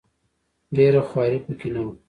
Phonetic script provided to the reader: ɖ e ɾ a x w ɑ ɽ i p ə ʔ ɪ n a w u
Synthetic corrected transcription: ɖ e ɾ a x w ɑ ɾ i p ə k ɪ n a w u